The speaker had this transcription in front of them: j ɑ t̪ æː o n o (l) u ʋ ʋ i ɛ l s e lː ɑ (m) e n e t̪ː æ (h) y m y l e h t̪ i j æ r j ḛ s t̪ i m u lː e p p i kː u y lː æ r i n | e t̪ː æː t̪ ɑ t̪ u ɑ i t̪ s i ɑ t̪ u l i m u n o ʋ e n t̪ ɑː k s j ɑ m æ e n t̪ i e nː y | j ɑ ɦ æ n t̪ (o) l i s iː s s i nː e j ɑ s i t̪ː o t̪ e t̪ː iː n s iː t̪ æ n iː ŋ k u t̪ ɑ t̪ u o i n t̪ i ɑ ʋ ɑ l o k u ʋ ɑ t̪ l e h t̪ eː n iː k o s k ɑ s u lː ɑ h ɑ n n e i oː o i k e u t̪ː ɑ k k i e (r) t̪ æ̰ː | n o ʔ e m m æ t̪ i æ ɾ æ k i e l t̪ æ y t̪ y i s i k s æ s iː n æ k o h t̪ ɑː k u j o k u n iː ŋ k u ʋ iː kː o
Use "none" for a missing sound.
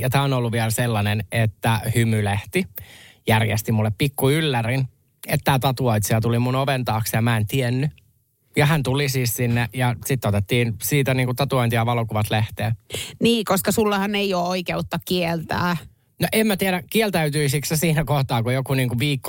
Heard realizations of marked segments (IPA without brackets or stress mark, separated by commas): lː, n, h, u, l